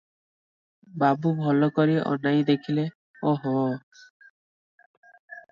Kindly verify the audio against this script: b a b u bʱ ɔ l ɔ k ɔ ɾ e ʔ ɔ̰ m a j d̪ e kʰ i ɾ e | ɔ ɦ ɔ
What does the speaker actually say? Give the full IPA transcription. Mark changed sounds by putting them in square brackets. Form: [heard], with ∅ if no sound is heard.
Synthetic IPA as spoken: b a b u bʱ ɔ l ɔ k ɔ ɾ [i] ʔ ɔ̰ [n] a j d̪ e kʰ i [l] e | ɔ ɦ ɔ

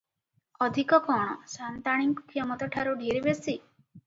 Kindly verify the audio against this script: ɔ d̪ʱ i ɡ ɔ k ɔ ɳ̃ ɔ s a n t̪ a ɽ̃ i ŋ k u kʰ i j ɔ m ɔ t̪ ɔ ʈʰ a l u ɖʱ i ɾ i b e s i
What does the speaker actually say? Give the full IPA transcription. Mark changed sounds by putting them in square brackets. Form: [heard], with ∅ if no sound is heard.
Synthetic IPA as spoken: ɔ d̪ʱ i [k] ɔ k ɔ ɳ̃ ɔ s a n t̪ a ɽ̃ i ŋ k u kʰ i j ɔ m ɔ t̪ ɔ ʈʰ a [ɾ] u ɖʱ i ɾ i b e s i

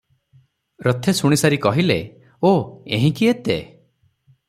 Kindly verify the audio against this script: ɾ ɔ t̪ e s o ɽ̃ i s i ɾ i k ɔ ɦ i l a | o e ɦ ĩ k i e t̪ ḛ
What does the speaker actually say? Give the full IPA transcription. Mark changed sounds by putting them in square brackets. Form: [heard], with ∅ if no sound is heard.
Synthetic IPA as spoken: ɾ ɔ [t̪ʰ] e s [u] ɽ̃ i s [a] ɾ i k ɔ ɦ i l [e] | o e ɦ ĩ k i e t̪ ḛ

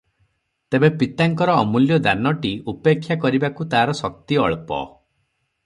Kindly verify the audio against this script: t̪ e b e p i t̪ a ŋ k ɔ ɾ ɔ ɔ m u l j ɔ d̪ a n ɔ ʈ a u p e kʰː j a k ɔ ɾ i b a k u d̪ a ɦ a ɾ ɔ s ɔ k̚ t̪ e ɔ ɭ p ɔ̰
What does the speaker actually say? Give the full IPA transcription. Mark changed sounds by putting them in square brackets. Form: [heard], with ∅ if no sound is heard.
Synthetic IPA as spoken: t̪ e b e p i t̪ a ŋ k ɔ ɾ ɔ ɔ m u l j ɔ d̪ a n ɔ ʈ [i] u p e kʰː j a k ɔ ɾ i b a k u [t̪] a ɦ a ɾ ɔ s ɔ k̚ t̪ [i] ɔ ɭ p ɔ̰

